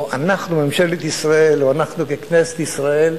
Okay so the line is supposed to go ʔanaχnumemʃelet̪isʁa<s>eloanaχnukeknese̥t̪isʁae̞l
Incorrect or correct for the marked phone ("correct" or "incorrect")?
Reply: incorrect